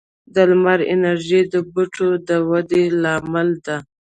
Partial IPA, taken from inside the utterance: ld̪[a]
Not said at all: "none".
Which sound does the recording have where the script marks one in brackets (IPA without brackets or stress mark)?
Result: a